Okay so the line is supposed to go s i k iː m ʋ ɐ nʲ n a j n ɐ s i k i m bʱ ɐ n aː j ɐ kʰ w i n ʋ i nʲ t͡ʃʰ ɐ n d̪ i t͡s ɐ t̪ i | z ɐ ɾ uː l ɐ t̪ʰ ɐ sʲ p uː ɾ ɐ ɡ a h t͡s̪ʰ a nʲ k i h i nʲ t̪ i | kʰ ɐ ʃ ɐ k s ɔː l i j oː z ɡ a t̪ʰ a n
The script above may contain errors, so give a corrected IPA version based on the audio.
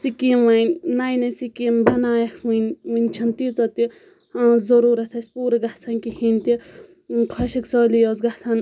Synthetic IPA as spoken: s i k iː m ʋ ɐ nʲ n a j n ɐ s i k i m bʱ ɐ n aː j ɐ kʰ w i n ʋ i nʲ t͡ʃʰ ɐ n t̪ i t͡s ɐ t̪ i | z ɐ ɾ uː ɾ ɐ t̪ʰ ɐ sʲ p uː ɾ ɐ ɡ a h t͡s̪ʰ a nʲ k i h i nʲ t̪ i | kʰ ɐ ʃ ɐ k s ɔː l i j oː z ɡ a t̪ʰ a n